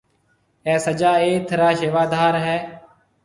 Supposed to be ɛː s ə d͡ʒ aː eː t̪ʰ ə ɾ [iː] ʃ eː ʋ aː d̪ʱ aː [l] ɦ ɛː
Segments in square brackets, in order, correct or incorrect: incorrect: aː, incorrect: ɾ

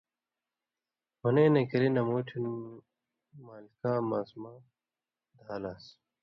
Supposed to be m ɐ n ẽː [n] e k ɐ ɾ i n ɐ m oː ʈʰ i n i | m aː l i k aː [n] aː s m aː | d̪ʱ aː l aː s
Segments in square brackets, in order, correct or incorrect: correct, incorrect: m

